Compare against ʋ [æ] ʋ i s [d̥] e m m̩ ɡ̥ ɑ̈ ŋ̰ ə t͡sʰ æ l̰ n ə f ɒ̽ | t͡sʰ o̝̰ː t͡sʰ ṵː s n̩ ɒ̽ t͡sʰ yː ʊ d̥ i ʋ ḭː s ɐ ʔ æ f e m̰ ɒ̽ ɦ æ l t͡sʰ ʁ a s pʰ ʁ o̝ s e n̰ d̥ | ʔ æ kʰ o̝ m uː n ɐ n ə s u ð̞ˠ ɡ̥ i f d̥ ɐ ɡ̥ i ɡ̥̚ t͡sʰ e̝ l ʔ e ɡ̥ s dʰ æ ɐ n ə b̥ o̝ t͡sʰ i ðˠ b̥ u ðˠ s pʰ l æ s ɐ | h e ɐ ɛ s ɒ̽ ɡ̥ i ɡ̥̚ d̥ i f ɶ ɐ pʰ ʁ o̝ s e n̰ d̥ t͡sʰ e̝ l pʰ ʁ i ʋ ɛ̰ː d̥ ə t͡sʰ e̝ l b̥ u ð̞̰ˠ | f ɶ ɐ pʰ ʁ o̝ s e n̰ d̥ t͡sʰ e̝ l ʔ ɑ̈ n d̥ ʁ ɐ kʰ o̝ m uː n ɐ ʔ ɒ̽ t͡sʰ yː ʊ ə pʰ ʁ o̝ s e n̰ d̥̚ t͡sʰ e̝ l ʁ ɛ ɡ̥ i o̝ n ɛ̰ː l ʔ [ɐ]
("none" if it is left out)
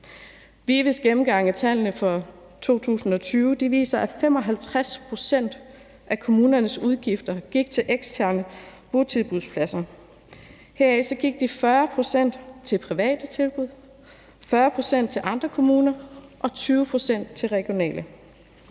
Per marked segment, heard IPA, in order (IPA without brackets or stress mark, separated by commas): i, ɡ̥, ə